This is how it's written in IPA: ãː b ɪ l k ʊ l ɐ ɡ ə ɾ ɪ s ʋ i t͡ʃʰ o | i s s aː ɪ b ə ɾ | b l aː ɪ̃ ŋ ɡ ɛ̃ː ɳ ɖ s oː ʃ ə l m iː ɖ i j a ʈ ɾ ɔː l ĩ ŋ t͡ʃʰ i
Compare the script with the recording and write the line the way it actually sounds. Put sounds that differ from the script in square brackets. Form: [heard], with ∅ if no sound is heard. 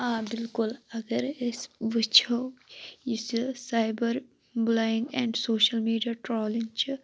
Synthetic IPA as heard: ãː b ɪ l k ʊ l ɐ ɡ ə ɾ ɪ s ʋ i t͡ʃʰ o | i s s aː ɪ b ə ɾ | b l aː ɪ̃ ŋ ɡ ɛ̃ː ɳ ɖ s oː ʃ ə l m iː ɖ i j a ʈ ɾ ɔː l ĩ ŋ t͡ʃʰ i